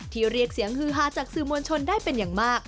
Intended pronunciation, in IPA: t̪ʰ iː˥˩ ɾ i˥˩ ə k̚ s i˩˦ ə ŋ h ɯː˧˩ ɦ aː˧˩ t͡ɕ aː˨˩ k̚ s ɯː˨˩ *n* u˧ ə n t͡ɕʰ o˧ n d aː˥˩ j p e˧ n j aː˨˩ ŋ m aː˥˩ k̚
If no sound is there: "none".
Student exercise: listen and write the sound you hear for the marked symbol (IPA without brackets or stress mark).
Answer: m